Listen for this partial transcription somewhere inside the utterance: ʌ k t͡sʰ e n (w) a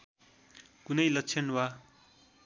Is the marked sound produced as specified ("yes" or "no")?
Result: yes